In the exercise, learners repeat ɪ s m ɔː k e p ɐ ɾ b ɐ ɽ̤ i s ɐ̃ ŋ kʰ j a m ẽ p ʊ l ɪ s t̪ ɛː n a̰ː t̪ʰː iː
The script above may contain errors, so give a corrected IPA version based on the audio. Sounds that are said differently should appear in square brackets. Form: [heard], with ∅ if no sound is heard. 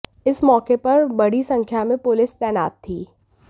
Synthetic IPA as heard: ɪ s m ɔː k e p ɐ ɾ b ɐ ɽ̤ i s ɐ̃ ŋ kʰ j a m ẽ p ʊ l ɪ s t̪ ɛː n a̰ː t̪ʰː iː